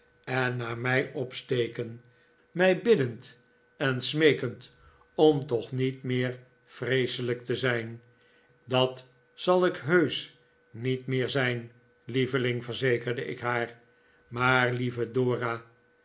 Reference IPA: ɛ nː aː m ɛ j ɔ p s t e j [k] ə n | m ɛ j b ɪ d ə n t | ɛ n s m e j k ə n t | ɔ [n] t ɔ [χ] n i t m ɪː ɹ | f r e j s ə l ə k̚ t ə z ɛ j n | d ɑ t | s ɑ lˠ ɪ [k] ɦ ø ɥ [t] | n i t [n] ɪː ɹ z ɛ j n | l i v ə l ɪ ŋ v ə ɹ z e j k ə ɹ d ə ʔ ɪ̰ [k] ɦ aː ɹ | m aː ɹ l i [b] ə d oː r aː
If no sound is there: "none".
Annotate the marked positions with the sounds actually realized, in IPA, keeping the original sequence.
k, m, χ, k, s, m, k, v

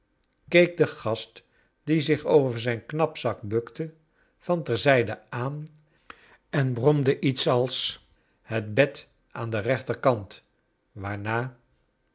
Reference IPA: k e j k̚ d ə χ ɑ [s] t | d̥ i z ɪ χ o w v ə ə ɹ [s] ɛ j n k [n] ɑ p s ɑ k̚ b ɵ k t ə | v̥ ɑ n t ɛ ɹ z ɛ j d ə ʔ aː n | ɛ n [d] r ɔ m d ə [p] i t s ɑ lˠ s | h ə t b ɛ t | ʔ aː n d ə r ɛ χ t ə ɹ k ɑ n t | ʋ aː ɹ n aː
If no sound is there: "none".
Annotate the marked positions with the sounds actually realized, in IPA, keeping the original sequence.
s, z, n, b, ʔ

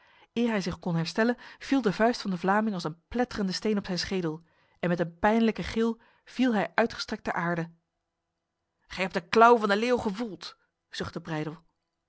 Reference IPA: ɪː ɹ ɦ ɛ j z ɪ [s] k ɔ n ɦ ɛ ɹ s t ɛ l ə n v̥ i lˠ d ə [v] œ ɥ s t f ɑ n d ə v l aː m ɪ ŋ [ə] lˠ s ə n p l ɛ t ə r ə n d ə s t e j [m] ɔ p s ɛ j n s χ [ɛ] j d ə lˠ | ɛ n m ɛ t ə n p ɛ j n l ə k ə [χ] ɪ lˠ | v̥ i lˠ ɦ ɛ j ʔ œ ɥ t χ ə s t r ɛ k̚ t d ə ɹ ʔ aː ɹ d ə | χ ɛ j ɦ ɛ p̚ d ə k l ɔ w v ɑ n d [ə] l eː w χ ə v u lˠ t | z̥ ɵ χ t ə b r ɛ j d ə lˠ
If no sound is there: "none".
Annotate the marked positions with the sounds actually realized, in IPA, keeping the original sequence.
χ, v, ɑ, n, e, χ, ə

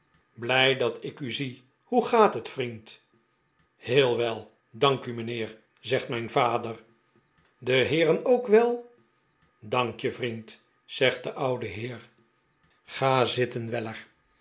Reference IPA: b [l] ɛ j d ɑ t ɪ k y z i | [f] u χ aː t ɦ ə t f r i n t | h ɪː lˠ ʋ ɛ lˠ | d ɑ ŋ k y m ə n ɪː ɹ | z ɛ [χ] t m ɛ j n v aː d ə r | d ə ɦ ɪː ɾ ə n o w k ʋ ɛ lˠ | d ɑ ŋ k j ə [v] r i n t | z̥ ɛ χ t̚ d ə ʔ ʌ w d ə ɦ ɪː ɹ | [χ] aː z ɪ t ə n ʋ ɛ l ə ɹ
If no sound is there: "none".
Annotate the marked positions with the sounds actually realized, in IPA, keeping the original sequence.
l, h, χ, v, χ

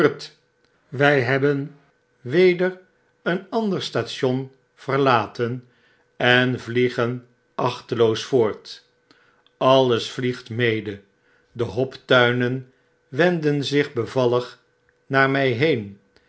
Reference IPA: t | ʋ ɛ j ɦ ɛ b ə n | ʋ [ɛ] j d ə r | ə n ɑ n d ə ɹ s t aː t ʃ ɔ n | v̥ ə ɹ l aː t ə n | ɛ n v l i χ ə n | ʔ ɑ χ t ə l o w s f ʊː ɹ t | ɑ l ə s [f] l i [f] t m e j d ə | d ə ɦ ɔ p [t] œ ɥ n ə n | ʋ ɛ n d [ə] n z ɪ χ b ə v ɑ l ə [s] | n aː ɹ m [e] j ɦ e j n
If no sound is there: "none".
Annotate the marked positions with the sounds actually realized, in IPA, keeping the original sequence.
e, f, χ, t, ə, χ, ɛ

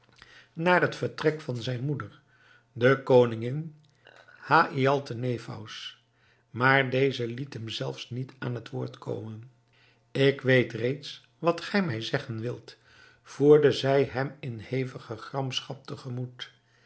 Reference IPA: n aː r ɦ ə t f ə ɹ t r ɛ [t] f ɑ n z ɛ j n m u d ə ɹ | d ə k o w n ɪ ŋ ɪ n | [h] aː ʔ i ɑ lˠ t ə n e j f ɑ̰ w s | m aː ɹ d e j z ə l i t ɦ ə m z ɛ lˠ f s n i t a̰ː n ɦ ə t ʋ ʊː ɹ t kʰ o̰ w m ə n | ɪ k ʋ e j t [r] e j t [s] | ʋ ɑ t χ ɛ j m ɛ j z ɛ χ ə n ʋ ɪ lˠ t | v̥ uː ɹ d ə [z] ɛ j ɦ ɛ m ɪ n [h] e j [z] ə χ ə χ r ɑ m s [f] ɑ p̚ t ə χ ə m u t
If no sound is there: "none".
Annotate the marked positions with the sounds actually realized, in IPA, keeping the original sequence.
k, h, r, s, z, h, v, χ

